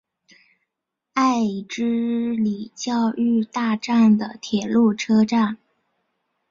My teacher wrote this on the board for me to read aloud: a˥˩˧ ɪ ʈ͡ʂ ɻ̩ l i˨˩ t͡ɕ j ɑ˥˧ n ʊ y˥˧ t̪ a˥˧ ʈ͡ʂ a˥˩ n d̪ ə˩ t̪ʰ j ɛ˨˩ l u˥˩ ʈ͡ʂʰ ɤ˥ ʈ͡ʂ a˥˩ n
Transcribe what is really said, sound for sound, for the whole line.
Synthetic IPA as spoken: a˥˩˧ ɪ ʈ͡ʂ ɻ̩ l i˨˩ t͡ɕ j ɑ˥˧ ʊ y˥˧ t̪ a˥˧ ʈ͡ʂ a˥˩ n d̪ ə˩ t̪ʰ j ɛ˨˩ l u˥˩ ʈ͡ʂʰ ɤ˥ ʈ͡ʂ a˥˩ n